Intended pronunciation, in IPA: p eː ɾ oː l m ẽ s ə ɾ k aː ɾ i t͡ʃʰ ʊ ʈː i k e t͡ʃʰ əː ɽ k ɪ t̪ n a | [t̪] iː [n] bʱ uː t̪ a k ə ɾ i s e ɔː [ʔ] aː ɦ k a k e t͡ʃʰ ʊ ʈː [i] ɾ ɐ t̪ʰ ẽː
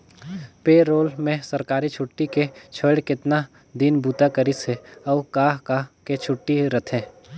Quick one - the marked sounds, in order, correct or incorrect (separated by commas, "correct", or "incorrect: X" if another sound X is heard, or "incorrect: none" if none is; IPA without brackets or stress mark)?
incorrect: d̪, correct, incorrect: k, correct